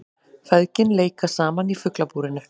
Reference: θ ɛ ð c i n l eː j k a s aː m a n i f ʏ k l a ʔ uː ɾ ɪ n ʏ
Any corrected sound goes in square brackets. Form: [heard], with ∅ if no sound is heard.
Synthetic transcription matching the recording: [f] ɛ ð c [ɪ] n l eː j k a s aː m a n i f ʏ k l a [p] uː ɾ ɪ n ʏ